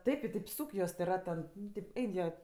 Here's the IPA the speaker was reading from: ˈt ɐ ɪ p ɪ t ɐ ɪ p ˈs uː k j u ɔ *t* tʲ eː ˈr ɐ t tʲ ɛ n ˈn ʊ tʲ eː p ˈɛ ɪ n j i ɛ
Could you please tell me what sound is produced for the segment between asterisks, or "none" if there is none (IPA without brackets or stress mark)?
s